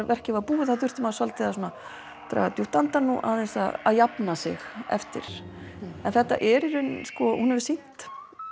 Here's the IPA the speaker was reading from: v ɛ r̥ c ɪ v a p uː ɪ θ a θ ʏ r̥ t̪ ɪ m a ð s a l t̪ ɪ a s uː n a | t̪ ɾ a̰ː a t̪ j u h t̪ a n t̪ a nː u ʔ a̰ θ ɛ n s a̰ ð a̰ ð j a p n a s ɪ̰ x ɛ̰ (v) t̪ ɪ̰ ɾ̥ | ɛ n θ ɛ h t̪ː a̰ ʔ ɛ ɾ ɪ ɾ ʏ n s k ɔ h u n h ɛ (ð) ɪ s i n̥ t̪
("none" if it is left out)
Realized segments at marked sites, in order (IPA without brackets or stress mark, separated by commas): f, v